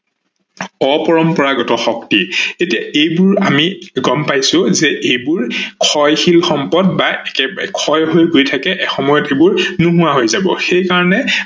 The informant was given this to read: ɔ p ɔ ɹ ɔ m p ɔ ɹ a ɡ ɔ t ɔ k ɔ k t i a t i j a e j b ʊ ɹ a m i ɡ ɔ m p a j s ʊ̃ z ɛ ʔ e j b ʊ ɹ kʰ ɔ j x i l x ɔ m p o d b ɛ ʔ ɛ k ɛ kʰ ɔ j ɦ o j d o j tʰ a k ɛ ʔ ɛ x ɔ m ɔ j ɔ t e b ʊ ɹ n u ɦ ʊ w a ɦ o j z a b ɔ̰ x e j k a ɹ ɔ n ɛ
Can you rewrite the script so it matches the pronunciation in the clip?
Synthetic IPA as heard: ɔ p ɔ ɹ ɔ m p ɔ ɹ a ɡ ɔ t ɔ x ɔ k t i e t i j a e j b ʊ ɹ a m i ɡ ɔ m p a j s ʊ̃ z ɛ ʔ e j b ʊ ɹ kʰ ɔ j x i l x ɔ m p ɔ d b a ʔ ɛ k ɛ kʰ ɔ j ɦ o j ɡ o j tʰ a k ɛ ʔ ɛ x ɔ m ɔ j ɔ t e b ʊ ɹ n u ɦ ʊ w a ɦ o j z a b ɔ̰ x e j k a ɹ ɔ n ɛ